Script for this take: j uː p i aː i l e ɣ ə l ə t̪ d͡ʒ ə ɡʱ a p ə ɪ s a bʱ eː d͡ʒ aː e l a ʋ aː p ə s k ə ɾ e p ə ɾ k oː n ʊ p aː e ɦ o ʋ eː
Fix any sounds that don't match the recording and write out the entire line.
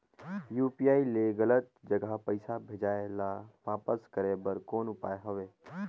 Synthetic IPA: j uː p i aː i l e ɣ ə l ə t̪ d͡ʒ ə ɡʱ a p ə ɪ s a bʱ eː d͡ʒ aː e l a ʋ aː p ə s k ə ɾ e b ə ɾ k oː n ʊ p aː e ɦ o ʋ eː